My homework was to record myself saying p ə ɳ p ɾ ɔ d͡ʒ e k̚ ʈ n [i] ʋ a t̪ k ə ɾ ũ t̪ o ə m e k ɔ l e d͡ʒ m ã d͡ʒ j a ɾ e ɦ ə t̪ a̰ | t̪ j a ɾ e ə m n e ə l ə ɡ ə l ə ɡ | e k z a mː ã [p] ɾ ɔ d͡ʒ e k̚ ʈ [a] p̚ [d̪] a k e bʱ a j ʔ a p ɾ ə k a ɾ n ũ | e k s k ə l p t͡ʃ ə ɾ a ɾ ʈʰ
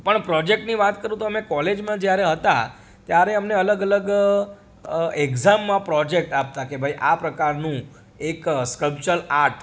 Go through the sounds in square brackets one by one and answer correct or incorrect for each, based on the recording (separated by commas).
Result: correct, correct, correct, incorrect